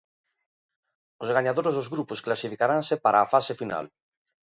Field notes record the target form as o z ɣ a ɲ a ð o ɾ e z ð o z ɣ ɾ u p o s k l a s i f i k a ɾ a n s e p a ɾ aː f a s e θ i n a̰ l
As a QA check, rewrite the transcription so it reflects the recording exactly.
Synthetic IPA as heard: o z ɣ a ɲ a ð o ɾ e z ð o z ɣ ɾ u p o s k l a s i f i k a ɾ a n s e p a ɾ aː f a s e f i n a̰ l